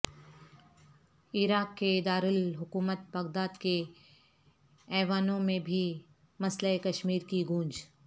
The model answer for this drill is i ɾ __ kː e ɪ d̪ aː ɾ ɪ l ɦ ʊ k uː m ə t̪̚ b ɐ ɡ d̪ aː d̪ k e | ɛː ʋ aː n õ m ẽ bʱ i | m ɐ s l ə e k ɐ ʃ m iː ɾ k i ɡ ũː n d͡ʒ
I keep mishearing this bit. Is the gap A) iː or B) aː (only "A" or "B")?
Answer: B